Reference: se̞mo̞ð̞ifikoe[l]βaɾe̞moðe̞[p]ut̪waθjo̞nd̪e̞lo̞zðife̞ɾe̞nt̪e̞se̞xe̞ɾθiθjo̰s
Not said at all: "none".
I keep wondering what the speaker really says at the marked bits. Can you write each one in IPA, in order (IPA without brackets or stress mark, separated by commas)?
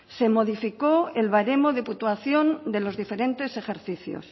l, p